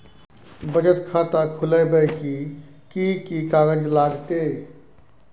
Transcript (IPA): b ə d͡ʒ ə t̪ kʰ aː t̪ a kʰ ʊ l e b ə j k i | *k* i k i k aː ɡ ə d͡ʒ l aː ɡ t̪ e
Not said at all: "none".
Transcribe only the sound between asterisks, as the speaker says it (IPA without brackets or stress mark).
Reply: k